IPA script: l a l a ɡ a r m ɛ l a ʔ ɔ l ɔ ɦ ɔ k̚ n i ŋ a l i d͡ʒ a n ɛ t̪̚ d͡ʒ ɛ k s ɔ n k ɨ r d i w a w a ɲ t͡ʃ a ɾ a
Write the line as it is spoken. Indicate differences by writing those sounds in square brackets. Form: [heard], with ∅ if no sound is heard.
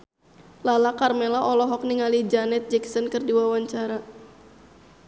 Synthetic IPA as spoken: l a l a [k] a r m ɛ l a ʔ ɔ l ɔ ɦ ɔ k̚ n i ŋ a l i d͡ʒ a n ɛ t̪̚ d͡ʒ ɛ k s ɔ n k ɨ r d i w a w a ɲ t͡ʃ a ɾ a